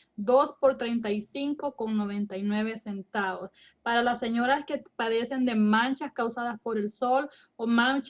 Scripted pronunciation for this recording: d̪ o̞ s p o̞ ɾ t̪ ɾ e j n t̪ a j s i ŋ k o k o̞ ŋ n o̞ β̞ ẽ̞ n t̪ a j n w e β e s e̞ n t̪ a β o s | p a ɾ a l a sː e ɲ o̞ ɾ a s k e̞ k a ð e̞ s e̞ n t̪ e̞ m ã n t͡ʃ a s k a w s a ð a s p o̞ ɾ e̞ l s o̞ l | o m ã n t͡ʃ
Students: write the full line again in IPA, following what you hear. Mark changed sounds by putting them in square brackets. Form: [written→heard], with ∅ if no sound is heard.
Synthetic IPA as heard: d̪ o̞ s p o̞ ɾ t̪ ɾ e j n t̪ a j s i ŋ k o k o̞ ŋ n o̞ β̞ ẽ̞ n t̪ a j n w e β e s e̞ n t̪ a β o s | p a ɾ a l a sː e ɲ o̞ ɾ a s k e̞ [k→p] a ð e̞ s e̞ n [t̪→d̪] e̞ m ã n t͡ʃ a s k a w s a ð a s p o̞ ɾ e̞ l s o̞ l | o m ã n t͡ʃ